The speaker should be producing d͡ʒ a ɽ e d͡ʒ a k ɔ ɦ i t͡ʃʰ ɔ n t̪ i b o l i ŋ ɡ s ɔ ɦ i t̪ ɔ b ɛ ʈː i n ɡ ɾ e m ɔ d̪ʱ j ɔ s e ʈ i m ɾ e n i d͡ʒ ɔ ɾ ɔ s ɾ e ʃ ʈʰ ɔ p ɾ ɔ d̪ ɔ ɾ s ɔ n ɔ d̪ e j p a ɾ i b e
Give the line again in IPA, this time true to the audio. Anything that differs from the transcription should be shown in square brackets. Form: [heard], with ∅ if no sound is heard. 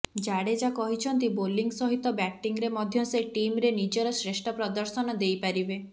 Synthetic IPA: d͡ʒ a ɽ e d͡ʒ a k ɔ ɦ i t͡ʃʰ ɔ n t̪ i b o l i ŋ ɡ s ɔ ɦ i t̪ ɔ b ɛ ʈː i [ŋ] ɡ ɾ e m ɔ d̪ʱ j ɔ s e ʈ i m ɾ e n i d͡ʒ ɔ ɾ ɔ s ɾ e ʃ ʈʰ ɔ p ɾ ɔ d̪ ɔ ɾ s ɔ n ɔ d̪ e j p a ɾ i b e